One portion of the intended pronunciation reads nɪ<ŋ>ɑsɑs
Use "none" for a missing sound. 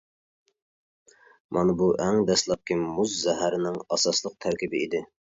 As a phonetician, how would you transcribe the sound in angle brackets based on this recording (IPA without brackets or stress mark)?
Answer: ŋ